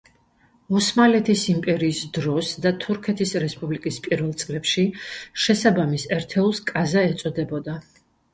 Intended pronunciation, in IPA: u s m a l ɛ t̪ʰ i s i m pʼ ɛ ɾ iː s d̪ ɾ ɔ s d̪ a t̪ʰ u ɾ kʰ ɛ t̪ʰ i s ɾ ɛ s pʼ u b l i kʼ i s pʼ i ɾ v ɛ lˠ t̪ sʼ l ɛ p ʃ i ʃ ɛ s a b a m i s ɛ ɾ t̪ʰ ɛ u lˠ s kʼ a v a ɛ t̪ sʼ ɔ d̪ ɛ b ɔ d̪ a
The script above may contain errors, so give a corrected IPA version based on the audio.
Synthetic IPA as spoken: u s m a l ɛ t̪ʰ i s i m pʼ ɛ ɾ iː s d̪ ɾ ɔ s d̪ a t̪ʰ u ɾ kʰ ɛ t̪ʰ i s ɾ ɛ s pʼ u b l i kʼ i s pʼ i ɾ v ɛ lˠ t̪ sʼ l ɛ p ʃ i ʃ ɛ s a b a m i s ɛ ɾ t̪ʰ ɛ u lˠ s kʼ a z a ɛ t̪ sʼ ɔ d̪ ɛ b ɔ d̪ a